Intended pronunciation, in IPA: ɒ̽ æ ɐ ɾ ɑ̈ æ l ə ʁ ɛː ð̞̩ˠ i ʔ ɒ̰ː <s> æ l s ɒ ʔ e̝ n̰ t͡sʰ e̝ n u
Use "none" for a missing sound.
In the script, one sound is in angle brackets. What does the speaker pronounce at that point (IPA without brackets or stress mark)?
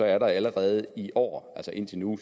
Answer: none